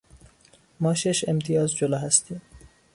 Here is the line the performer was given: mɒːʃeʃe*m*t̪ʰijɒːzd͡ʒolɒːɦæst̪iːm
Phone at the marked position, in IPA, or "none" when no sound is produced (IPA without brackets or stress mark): m